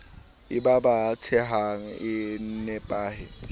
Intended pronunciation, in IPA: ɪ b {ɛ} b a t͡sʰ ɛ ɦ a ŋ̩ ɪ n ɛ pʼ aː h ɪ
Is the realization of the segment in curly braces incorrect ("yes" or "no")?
yes